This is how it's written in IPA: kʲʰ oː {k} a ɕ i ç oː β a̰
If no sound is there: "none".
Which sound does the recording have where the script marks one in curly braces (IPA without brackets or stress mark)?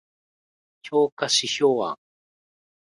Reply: k